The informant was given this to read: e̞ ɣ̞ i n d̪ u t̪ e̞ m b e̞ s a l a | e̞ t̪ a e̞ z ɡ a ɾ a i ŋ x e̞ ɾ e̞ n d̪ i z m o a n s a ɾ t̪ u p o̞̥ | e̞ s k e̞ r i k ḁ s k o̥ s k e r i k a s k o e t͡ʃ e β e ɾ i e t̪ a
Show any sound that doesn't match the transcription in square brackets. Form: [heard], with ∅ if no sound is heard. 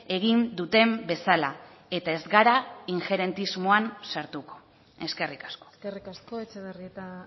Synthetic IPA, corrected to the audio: e̞ ɣ̞ i n d̪ u t̪ e̞ m b e̞ s a l a | e̞ t̪ a e̞ z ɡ a ɾ a i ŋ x e̞ ɾ e̞ n [t̪] i z m o a n s a ɾ t̪ u [k] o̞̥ | e̞ s k e̞ r i k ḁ s k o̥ s k e r i k a s k o e t͡ʃ e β e [r] i e t̪ a